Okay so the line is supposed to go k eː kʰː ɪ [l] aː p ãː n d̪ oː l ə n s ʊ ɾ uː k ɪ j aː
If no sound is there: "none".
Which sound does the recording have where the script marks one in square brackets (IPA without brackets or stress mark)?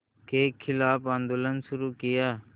l